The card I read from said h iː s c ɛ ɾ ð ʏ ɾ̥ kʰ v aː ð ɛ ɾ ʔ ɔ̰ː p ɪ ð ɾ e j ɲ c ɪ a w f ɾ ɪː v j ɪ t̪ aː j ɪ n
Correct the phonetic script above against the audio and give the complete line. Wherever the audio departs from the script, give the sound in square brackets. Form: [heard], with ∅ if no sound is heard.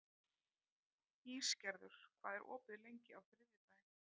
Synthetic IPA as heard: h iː s c ɛ ɾ ð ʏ ɾ̥ kʰ v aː ð ɛ ɾ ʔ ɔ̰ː p ɪ ð [l] e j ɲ c ɪ a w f ɾ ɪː v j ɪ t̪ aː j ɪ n

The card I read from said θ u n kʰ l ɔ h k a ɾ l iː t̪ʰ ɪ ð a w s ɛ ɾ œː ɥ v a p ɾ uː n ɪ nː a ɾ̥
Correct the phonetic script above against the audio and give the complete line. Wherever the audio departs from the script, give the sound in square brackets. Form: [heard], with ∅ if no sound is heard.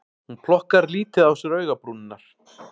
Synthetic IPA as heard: [h] u n [pʰ] l ɔ h k a ɾ l iː [t̪] ɪ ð a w s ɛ ɾ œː ɥ [ɣ] a p ɾ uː n ɪ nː a ɾ̥

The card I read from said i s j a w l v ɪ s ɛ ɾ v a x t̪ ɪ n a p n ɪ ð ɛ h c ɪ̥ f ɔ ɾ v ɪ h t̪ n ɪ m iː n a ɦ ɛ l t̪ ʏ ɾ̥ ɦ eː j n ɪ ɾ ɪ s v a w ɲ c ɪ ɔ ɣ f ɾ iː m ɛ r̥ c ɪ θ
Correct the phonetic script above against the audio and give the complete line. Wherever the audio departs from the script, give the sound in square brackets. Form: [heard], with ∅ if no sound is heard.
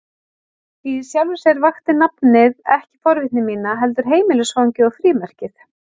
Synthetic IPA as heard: i s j a w l v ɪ s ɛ ɾ v a x t̪ ɪ n a p n ɪ ð ɛ h c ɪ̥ f ɔ ɾ v ɪ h t̪ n ɪ m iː n a ɦ ɛ l t̪ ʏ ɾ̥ ɦ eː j [m] ɪ [l] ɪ s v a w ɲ c ɪ ɔ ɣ f ɾ iː m ɛ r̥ c ɪ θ

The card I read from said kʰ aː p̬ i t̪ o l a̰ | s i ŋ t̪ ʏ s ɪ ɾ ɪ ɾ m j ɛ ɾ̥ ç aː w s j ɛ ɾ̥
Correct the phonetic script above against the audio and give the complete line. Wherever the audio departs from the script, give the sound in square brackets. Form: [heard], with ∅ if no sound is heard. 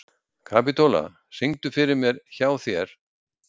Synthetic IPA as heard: kʰ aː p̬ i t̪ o l a̰ | s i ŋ t̪ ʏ [f] ɪ ɾ ɪ ɾ m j ɛ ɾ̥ ç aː w [θ] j ɛ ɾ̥

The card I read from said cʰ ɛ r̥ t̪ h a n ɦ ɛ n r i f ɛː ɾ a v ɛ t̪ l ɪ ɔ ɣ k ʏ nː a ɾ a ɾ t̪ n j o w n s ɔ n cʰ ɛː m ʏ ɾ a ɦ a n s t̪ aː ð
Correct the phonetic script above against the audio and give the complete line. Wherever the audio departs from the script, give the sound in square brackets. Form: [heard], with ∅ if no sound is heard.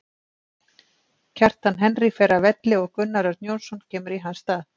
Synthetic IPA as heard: cʰ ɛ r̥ t̪ h a n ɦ ɛ n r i f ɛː ɾ a v ɛ t̪ l ɪ ɔ ɣ k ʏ nː a ɾ a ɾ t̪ n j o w n s ɔ n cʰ ɛː m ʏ ɾ [i] ɦ a n s t̪ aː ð

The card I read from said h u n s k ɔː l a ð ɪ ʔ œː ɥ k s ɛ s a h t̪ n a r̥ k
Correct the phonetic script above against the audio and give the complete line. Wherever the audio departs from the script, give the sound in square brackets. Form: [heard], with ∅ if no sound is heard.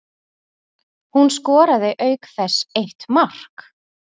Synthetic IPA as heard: h u n s k ɔː [ɾ] a ð ɪ ʔ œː ɥ k [θ] ɛ s [e] h t̪ [m] a r̥ k

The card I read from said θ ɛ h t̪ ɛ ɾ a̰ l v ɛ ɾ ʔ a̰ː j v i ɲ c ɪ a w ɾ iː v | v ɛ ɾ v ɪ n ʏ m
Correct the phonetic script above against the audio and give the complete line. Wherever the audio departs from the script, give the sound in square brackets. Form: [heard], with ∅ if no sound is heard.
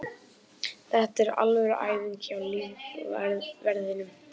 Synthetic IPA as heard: θ ɛ h t̪ ɛ ɾ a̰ l v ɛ ɾ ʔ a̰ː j v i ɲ c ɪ a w [l] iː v | v ɛ ɾ [ð] ɪ n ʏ m

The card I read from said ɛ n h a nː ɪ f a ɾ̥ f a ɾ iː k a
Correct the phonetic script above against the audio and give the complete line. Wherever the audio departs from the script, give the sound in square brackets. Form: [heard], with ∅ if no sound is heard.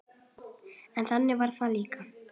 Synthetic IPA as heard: ɛ n [θ] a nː ɪ [v] a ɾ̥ [θ] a [l] iː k a

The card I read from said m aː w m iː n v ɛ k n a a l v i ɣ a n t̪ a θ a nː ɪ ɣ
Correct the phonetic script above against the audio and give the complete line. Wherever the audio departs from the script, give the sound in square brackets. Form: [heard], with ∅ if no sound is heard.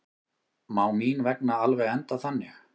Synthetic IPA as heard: m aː w m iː n v ɛ k n a a l v [ɛ] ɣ [ɛ] n t̪ a θ a nː ɪ [x]

